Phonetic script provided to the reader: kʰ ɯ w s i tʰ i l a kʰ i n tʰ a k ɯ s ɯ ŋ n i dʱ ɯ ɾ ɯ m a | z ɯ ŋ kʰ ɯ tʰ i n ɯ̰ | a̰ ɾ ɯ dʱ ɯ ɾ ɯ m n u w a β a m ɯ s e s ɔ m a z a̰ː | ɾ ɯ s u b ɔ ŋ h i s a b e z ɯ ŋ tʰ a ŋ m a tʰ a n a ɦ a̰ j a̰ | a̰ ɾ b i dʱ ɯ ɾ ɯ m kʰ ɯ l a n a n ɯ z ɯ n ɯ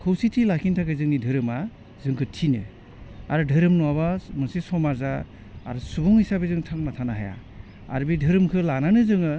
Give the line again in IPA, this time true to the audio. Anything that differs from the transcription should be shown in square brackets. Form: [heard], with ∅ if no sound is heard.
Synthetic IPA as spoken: kʰ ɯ w s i tʰ i l a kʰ i n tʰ a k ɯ [z] ɯ ŋ n i dʱ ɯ ɾ ɯ m a | z ɯ ŋ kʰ ɯ tʰ i n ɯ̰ | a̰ ɾ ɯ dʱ ɯ ɾ ɯ m n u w a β a m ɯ s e s ɔ m a z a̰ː | ɾ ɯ s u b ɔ ŋ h i s a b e z ɯ ŋ tʰ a ŋ [n] a tʰ a n a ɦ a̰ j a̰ | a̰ ɾ b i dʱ ɯ ɾ ɯ m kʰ ɯ l a n a n ɯ z ɯ [ŋ] ɯ